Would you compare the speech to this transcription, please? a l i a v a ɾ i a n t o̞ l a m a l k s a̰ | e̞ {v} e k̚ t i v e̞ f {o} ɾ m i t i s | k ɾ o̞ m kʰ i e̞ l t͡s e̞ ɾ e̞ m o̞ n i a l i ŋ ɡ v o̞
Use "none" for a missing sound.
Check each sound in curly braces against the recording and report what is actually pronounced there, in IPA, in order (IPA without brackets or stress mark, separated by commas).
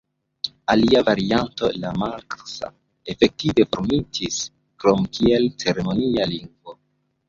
f, o